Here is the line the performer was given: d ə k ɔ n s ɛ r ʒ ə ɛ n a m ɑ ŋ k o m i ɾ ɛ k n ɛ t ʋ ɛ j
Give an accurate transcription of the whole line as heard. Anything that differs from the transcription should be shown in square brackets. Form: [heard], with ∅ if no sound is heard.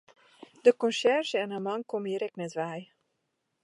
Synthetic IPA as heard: d ə k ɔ n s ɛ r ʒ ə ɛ n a m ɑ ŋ k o m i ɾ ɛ k n ɛ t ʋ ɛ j